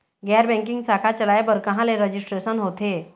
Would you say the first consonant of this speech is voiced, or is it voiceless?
voiced